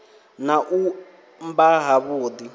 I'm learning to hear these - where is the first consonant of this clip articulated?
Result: tongue tip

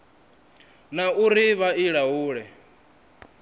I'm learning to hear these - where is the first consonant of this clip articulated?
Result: tongue tip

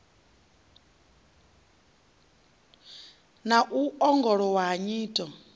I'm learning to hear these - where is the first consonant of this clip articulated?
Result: tongue tip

